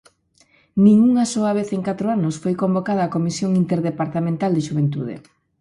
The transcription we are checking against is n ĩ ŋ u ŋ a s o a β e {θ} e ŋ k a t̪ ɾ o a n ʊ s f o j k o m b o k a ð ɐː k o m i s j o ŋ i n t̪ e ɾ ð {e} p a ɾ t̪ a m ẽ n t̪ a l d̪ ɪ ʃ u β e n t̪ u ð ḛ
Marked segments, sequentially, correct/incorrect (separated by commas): correct, correct